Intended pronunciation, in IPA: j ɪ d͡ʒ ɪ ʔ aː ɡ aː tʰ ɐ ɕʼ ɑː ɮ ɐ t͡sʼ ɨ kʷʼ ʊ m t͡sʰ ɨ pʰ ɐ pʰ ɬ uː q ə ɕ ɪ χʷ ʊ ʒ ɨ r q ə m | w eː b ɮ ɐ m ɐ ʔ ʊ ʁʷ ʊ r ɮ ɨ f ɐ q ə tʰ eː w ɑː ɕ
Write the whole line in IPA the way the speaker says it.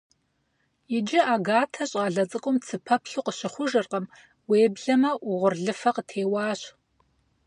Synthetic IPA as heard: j ɪ d͡ʒ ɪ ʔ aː ɡ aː tʰ ɐ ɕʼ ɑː ɮ ɐ t͡sʼ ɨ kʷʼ ʊ m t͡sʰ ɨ pʰ ɐ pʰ ɬ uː q ə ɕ ɪ χʷ ʊ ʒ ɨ r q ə m | w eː b ɮ ɐ m ɐ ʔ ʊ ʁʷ ʊ r ɮ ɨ f ɐ q ə tʰ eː w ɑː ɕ